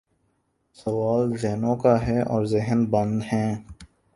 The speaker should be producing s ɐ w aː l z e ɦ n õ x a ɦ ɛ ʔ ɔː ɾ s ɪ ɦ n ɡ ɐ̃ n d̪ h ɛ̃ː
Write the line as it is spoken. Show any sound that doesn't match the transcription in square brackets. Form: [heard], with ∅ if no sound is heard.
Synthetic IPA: s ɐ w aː l z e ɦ n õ [k] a ɦ ɛ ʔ ɔː ɾ [z] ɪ ɦ n [b] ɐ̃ n d̪ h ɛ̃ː